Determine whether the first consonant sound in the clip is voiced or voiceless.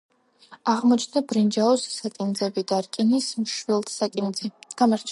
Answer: voiced